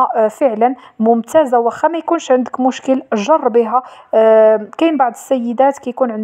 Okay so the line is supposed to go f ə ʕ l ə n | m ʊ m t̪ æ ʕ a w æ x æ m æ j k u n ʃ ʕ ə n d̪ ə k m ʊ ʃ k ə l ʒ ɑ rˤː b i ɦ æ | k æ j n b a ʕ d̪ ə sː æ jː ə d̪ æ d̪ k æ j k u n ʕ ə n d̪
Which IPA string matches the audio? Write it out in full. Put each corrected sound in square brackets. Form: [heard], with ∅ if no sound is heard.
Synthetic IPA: f ə ʕ l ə n | m ʊ m t̪ æ [z] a w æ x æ m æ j k u n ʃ ʕ ə n d̪ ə k m ʊ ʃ k ə l ʒ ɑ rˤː b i ɦ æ | k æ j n b a ʕ d̪ ə sː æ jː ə d̪ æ [t̪] k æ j k u n ʕ ə n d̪